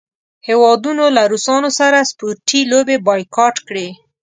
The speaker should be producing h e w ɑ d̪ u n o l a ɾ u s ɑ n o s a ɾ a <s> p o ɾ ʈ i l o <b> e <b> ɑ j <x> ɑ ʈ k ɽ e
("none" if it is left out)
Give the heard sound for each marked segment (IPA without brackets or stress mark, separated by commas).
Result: s, b, b, k